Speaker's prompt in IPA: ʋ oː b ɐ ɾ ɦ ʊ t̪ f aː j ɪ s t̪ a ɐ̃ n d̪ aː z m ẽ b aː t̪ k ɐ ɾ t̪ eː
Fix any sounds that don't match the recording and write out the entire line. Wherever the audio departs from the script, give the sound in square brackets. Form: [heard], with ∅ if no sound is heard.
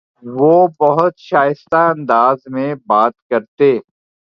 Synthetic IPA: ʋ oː b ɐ [∅] ɦ ʊ t̪ [ʃ] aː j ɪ s t̪ a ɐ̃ n d̪ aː z m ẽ b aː t̪ k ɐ ɾ t̪ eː